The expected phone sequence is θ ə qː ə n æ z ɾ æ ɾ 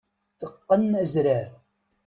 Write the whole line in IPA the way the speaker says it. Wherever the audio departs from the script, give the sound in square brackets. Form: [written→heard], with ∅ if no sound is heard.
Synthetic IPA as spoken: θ ə qː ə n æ z ɾ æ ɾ